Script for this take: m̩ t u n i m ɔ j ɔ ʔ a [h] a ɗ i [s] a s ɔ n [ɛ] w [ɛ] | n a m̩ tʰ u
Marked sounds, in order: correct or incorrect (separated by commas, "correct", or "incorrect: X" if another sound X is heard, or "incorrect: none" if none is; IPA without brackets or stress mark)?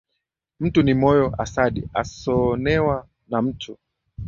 incorrect: s, incorrect: none, correct, incorrect: a